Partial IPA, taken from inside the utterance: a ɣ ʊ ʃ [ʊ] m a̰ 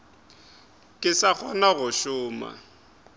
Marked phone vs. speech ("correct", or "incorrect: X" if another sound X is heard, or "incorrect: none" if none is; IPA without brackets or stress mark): incorrect: ʊː